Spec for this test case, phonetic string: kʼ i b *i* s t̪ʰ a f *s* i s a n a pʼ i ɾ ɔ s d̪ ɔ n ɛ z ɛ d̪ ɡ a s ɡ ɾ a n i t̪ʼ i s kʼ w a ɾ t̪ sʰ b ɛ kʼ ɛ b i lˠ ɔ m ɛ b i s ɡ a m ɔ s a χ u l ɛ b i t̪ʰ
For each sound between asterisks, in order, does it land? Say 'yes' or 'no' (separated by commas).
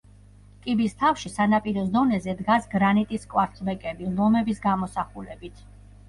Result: yes, no